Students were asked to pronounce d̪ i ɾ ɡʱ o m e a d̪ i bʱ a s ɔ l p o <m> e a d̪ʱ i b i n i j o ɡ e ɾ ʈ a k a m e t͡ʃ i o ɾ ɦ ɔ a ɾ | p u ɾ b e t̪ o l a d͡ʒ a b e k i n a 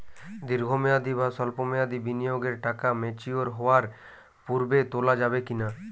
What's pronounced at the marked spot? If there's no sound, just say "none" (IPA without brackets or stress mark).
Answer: m